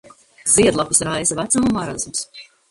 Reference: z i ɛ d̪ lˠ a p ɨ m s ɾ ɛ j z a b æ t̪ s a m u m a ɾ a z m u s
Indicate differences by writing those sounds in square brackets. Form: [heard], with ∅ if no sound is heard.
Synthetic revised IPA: z i ɛ d̪ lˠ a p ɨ [∅] s ɾ [a] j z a [v] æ t̪ s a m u m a ɾ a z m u s

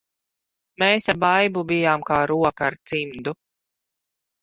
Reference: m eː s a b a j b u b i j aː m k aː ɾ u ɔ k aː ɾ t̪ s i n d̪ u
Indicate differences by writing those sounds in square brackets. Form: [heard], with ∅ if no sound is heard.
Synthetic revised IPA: m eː s a b a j b u b i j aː m k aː ɾ u ɔ k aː ɾ t̪ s i [m] d̪ u

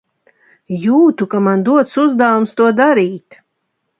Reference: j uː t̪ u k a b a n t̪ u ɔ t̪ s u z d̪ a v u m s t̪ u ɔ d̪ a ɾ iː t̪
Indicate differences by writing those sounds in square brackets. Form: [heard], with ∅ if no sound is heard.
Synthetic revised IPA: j uː t̪ u k a [m] a n [d̪] u ɔ t̪ s u z d̪ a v u m s t̪ u ɔ d̪ a ɾ iː t̪

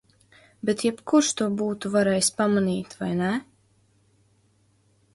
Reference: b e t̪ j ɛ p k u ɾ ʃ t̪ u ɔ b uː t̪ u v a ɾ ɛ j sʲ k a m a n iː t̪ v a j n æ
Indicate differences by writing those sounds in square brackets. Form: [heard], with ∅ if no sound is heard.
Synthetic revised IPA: b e t̪ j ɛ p k u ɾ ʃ t̪ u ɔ b uː t̪ u v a ɾ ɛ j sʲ [p] a m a n iː t̪ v a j n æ

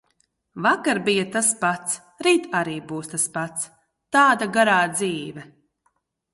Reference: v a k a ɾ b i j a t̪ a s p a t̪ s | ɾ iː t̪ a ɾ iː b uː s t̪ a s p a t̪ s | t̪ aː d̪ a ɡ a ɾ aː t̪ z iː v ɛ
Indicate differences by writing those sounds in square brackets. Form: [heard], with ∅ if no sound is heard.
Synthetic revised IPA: v a k a ɾ b i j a t̪ a s p a t̪ s | ɾ iː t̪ a ɾ iː b uː s t̪ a s p a t̪ s | t̪ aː d̪ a ɡ a ɾ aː [d̪] z iː v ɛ

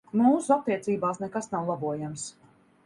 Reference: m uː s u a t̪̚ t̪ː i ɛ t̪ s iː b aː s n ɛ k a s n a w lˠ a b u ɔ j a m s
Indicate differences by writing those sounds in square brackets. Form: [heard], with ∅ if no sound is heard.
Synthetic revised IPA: m uː s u a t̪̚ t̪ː i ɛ t̪ s iː b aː s n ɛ k a s n a w lˠ a b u ɔ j a m s

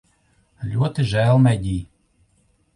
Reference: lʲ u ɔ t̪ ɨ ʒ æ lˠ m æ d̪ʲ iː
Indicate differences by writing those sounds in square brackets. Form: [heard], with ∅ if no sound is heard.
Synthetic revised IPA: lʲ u ɔ t̪ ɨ ʒ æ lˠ m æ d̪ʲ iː

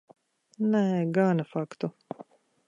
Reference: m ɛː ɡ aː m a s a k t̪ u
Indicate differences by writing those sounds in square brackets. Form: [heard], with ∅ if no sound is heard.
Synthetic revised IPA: [n] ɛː ɡ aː [n] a [f] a k t̪ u

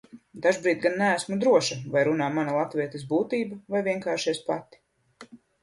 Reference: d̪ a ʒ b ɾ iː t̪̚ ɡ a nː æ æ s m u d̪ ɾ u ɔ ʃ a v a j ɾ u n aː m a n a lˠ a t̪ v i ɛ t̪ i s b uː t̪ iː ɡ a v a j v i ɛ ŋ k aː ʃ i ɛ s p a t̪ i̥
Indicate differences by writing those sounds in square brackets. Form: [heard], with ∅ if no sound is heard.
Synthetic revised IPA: d̪ a ʒ b ɾ iː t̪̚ ɡ a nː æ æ s m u d̪ ɾ u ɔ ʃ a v a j ɾ u n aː m a n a lˠ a t̪ v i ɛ t̪ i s b uː t̪ iː [b] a v a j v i ɛ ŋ k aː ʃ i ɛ s p a t̪ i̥

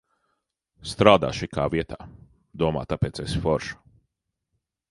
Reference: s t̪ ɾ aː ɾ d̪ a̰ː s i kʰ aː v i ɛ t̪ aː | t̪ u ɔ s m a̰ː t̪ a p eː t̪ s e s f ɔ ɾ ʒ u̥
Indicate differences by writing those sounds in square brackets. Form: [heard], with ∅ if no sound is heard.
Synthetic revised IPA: s t̪ ɾ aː [∅] d̪ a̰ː [ʃ] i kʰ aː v i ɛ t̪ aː | [d̪] u ɔ [∅] m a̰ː t̪ a p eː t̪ s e s f ɔ ɾ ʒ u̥

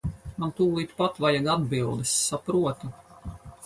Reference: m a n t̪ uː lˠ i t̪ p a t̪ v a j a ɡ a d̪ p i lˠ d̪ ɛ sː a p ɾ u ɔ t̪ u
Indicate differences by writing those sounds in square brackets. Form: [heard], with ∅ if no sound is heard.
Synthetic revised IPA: m a n t̪ uː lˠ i t̪ p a t̪ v a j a ɡ a d̪ [b] i lˠ d̪ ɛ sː a p ɾ u ɔ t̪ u

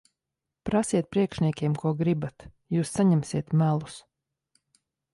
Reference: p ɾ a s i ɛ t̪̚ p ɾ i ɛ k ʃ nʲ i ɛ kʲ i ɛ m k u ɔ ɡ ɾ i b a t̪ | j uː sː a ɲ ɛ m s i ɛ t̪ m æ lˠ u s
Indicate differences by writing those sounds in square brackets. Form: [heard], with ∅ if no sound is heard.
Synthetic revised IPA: p ɾ a s i ɛ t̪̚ p ɾ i ɛ k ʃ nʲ i ɛ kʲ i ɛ m k u ɔ ɡ ɾ i b a t̪ | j uː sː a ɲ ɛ m s i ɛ t̪ m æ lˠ u s

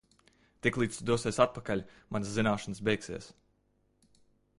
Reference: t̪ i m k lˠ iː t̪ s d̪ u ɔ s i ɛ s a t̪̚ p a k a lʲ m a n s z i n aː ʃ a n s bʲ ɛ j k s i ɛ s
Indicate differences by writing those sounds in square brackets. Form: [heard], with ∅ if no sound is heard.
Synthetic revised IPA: t̪ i [∅] k lˠ iː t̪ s d̪ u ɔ s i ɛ s a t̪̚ p a k a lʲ m a n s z i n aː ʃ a n s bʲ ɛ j k s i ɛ s

